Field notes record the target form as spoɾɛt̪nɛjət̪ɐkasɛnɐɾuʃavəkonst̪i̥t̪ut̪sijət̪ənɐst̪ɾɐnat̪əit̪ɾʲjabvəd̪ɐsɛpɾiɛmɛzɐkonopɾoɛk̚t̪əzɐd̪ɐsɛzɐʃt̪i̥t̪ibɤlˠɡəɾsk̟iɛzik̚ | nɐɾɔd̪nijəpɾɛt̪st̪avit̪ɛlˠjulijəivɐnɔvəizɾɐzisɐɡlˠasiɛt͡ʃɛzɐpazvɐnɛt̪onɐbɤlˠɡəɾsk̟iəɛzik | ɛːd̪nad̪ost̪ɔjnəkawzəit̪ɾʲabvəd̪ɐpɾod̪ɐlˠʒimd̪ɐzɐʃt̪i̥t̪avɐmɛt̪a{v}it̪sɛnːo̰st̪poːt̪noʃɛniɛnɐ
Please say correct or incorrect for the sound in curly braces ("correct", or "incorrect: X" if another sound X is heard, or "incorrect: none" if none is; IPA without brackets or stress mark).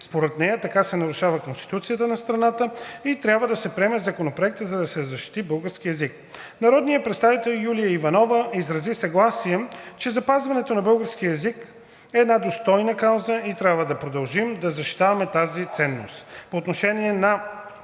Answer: incorrect: z